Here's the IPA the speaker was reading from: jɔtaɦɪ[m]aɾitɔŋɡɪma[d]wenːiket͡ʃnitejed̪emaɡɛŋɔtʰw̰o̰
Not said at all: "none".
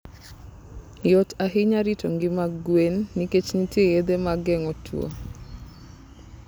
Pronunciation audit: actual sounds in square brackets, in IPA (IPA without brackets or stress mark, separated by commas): ɲ, ɡ